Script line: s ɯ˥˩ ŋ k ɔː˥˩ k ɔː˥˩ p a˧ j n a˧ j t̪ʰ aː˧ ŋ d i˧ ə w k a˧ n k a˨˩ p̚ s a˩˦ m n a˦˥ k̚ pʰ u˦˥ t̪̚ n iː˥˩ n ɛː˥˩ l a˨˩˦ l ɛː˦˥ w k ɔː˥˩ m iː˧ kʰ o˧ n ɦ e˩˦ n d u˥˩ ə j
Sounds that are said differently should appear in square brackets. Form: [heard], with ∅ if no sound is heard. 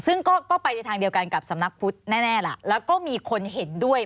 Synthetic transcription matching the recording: s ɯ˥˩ ŋ k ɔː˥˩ k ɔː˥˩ p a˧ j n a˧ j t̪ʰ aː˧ ŋ d i˧ ə w k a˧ n k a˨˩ p̚ s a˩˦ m n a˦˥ k̚ pʰ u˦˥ t̪̚ n [ɛː˥˩] n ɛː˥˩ l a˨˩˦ l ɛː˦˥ w k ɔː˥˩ m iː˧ kʰ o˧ n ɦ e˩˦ n d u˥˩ ə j